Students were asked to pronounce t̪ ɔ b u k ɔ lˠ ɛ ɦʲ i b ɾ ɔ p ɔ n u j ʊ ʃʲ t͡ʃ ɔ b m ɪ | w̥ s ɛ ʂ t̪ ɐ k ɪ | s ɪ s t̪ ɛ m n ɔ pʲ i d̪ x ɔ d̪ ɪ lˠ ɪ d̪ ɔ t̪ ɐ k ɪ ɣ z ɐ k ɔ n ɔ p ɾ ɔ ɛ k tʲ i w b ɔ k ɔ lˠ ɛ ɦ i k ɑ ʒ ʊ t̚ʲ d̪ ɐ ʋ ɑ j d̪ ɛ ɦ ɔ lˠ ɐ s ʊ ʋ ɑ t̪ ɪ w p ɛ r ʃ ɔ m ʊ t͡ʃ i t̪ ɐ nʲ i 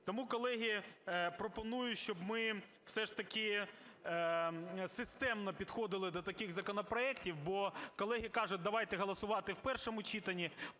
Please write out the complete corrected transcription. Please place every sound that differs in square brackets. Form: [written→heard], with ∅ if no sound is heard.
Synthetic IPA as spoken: t̪ ɔ [b→m] u k ɔ lˠ ɛ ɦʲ i [b→p] ɾ ɔ p ɔ n u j ʊ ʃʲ t͡ʃ ɔ b m ɪ | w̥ s ɛ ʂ t̪ ɐ k ɪ | s ɪ s t̪ ɛ m n ɔ pʲ i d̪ x ɔ d̪ ɪ lˠ ɪ d̪ ɔ t̪ ɐ k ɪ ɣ z ɐ k ɔ n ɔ p ɾ ɔ ɛ k tʲ i w b ɔ k ɔ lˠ ɛ ɦ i k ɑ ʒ ʊ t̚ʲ d̪ ɐ ʋ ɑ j [d̪→t̪] ɛ ɦ ɔ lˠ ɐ s ʊ ʋ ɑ t̪ ɪ w p ɛ r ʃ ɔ m ʊ t͡ʃ i t̪ ɐ nʲ i